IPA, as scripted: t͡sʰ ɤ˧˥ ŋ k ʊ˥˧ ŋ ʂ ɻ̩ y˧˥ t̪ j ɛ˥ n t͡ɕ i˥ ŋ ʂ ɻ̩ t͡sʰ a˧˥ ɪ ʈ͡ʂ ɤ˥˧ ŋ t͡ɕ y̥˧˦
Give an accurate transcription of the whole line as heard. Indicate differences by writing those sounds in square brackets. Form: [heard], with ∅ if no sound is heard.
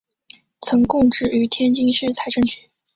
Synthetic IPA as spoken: t͡sʰ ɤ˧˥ ŋ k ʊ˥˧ ŋ [ʈ͡ʂ] ɻ̩ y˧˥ [t̪ʰ] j ɛ˥ n t͡ɕ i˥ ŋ ʂ ɻ̩ t͡sʰ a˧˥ ɪ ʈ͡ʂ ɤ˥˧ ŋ t͡ɕ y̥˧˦